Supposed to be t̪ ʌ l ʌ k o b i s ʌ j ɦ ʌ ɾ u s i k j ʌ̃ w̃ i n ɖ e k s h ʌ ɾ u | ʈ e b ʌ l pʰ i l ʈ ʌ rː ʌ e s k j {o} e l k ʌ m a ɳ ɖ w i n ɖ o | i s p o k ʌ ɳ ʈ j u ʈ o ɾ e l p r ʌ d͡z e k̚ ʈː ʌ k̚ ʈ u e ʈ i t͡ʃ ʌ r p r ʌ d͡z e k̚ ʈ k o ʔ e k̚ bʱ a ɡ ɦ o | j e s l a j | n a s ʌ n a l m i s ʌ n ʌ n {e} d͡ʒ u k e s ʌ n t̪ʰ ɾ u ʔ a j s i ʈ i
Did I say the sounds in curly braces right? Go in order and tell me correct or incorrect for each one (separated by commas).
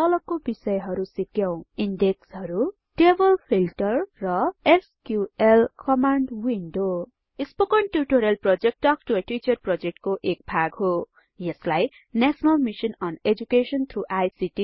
incorrect, correct